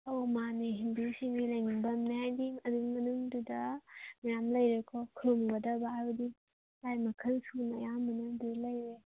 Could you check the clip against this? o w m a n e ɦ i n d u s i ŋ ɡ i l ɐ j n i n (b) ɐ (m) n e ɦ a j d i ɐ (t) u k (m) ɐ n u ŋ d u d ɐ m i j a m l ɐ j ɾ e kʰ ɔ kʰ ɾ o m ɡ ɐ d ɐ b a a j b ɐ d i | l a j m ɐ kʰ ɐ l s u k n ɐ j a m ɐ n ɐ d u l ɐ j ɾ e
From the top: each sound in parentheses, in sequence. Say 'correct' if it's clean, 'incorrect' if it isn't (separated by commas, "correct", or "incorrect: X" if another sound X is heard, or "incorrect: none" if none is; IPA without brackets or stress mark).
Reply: correct, correct, incorrect: d, correct